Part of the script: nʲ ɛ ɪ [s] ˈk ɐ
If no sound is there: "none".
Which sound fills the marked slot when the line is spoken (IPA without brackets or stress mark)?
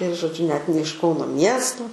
ʃ